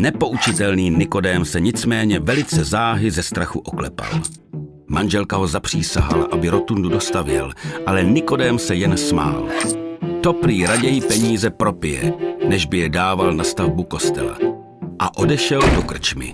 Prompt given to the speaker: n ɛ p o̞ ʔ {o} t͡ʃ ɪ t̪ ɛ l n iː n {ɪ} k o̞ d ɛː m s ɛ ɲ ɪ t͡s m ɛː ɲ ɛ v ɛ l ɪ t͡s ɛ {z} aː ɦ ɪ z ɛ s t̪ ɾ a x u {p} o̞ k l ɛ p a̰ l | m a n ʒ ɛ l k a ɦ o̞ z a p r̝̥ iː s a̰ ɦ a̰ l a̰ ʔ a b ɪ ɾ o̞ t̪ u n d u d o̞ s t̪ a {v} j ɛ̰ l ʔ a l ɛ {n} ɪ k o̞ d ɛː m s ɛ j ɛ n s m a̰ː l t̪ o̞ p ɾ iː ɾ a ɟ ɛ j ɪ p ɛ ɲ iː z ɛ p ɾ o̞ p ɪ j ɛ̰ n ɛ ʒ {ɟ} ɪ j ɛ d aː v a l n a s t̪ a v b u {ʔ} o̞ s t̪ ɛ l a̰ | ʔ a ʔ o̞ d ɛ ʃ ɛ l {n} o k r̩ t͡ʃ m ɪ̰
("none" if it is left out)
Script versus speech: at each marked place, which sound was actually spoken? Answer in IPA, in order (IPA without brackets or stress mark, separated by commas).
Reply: u, ɪ, z, ʔ, v, n, b, k, d